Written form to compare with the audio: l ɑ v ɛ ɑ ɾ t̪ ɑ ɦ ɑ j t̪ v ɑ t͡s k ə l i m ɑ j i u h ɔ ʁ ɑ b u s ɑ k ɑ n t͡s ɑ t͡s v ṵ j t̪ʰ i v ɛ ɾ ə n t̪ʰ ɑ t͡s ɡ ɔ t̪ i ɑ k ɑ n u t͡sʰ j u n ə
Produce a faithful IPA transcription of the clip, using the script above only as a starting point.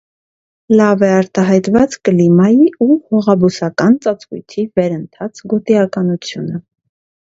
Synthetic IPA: l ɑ v ɛ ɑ ɾ t̪ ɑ ɦ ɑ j t̪ v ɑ t͡s k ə l i m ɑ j i u h ɔ ʁ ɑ b u s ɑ k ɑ n t͡s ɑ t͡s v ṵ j t̪ʰ i v ɛ ɾ ə n t̪ʰ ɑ t͡s ɡ ɔ t̪ i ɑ k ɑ n u t͡sʰ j u n ə